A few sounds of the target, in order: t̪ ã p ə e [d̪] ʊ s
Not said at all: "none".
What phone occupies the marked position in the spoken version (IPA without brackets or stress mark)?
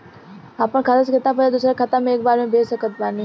d̪